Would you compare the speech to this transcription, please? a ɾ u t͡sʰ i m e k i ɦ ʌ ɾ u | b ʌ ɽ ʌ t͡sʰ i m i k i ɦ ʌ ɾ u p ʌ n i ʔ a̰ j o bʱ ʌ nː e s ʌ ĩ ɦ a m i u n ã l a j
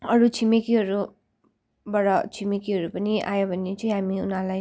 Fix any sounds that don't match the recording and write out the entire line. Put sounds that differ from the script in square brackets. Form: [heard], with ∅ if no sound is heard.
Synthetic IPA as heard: [ʌ] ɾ u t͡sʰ i m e k i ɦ ʌ ɾ u | b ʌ ɽ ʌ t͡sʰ i m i k i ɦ ʌ ɾ u p ʌ n i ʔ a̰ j o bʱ ʌ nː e [t͡s] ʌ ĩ ɦ a m i u n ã l a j